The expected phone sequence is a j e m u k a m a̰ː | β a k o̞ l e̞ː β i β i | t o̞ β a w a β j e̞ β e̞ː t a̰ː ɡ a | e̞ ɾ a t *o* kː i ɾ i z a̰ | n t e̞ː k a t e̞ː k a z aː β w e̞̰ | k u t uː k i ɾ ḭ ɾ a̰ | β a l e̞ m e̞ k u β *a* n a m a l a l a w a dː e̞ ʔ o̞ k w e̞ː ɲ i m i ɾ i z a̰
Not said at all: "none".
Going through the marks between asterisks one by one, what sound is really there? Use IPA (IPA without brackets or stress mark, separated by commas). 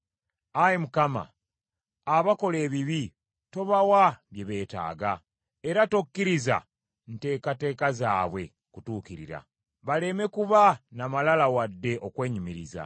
o, a